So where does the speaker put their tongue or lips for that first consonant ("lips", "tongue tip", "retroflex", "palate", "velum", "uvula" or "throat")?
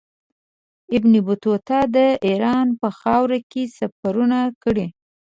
lips